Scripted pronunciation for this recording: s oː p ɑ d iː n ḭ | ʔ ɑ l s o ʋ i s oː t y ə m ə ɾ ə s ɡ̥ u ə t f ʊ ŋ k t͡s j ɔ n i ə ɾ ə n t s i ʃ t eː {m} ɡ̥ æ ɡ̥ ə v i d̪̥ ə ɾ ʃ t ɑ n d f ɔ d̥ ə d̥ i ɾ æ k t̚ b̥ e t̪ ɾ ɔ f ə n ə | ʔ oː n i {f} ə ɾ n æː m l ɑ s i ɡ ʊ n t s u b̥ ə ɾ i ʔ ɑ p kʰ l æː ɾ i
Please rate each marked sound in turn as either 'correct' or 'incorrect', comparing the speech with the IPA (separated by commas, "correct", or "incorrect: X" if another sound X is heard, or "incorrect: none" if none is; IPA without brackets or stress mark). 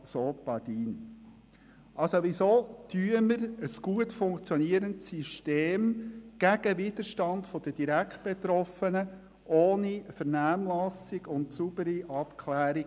correct, correct